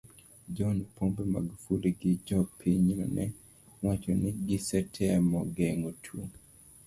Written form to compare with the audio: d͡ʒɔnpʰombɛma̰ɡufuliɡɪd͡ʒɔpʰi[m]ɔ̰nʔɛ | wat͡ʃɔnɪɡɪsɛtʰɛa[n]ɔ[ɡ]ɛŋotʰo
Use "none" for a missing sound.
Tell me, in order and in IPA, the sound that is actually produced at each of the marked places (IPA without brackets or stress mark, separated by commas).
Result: ɲ, m, ɡ